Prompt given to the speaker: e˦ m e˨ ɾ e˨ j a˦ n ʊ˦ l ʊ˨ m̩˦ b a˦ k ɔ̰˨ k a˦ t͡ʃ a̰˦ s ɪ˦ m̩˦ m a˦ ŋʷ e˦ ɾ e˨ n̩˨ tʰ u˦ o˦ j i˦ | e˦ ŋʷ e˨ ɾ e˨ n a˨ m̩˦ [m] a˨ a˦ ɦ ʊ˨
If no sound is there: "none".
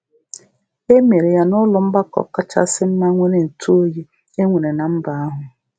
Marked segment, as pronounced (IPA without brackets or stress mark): b